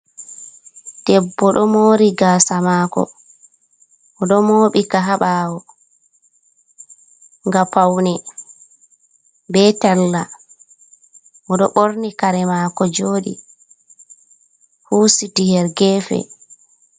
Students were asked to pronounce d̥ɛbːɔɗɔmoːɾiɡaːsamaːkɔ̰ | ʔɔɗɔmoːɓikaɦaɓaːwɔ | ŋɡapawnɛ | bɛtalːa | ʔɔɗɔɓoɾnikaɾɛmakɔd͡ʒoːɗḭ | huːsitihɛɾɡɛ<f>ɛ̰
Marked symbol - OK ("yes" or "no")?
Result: yes